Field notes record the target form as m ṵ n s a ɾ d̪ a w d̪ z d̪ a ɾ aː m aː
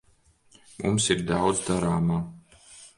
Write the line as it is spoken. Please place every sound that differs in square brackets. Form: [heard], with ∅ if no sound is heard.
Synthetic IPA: m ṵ [m] s [i] ɾ d̪ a w d̪ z d̪ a ɾ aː m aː